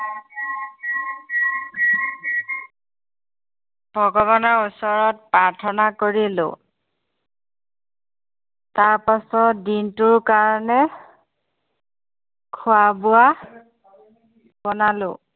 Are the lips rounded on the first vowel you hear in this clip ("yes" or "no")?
yes